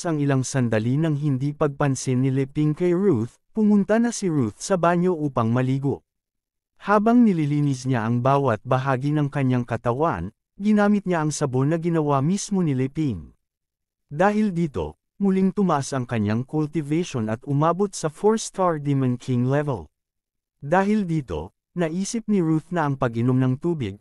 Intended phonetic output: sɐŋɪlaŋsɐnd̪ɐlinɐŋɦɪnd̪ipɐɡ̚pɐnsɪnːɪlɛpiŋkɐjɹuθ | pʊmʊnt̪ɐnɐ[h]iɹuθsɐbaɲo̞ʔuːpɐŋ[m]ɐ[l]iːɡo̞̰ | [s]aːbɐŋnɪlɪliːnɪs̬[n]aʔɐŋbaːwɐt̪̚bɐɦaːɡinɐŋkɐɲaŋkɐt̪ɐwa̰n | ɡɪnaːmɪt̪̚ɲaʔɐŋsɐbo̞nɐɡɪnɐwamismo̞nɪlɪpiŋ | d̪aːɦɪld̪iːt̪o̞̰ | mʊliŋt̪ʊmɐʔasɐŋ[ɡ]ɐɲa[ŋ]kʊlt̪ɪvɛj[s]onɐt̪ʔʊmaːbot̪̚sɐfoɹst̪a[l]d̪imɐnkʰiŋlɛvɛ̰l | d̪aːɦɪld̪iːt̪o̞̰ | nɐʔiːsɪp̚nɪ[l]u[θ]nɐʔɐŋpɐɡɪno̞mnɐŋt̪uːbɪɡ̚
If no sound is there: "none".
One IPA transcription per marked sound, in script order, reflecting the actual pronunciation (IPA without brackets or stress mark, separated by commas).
s, m, l, h, ɲ, k, ŋ, ʃ, ɹ, ɹ, θ